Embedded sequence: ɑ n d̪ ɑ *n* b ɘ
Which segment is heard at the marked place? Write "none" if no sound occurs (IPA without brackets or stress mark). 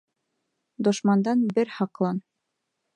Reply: n